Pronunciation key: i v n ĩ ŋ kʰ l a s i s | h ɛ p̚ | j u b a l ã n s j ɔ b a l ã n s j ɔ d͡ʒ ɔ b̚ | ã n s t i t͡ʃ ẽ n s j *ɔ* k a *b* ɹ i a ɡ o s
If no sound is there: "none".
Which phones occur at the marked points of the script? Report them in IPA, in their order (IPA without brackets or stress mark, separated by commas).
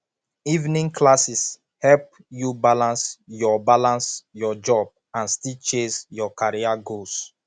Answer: ɔ, none